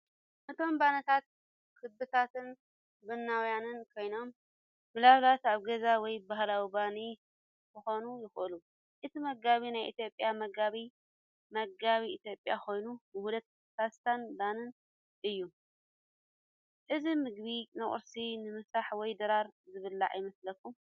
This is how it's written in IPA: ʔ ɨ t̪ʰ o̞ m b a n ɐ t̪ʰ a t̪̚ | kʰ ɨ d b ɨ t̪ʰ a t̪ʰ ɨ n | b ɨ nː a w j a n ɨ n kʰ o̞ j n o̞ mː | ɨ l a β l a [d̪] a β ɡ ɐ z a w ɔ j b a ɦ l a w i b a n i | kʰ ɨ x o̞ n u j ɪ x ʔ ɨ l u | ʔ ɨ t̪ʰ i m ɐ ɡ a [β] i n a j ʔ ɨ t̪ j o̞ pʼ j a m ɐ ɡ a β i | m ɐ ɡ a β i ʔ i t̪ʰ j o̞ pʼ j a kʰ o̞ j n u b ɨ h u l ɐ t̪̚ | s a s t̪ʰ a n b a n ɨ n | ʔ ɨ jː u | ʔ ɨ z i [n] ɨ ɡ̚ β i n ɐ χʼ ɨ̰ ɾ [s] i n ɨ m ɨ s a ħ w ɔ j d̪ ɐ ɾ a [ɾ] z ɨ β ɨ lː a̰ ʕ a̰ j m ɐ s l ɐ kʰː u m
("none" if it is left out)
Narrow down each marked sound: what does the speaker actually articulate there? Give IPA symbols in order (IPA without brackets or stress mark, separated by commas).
t̪, β, m, s, ɾ